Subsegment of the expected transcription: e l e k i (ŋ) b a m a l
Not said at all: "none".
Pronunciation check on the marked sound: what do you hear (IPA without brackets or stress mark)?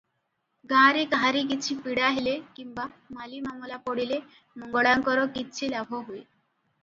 m